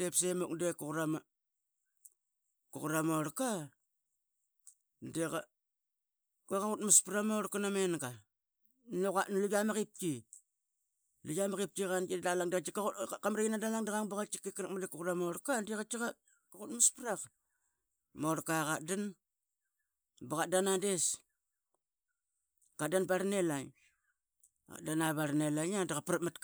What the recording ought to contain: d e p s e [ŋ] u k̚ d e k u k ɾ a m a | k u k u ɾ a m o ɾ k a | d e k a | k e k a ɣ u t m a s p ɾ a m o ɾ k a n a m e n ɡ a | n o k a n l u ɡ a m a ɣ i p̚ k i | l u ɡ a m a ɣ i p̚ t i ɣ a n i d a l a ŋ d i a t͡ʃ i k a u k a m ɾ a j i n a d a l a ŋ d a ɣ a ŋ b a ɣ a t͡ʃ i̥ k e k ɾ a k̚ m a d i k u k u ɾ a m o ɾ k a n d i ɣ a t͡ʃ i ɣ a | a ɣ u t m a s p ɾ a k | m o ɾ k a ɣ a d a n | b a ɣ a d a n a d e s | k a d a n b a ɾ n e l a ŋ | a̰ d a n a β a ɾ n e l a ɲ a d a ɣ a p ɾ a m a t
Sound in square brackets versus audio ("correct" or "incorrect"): incorrect